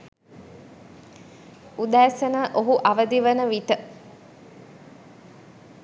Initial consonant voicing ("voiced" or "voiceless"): voiced